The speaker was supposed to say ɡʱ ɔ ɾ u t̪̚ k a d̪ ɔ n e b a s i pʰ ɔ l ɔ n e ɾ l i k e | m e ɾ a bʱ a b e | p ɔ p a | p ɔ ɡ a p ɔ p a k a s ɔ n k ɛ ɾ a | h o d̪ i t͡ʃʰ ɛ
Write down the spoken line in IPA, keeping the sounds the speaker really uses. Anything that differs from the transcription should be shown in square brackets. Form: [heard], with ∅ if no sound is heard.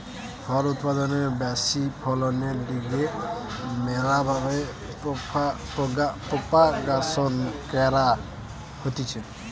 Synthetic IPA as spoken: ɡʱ ɔ ɾ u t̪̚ [p] a d̪ ɔ n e b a s i pʰ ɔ l ɔ n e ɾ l i [ɡ] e | m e ɾ a bʱ a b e | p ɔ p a | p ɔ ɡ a p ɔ p a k a s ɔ n k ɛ ɾ a | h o [t̪] i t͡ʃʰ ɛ